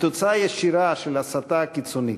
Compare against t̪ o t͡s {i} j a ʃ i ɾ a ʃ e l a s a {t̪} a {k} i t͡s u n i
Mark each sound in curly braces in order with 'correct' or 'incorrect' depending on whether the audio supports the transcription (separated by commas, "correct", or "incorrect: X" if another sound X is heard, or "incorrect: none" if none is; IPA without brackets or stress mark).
incorrect: a, correct, correct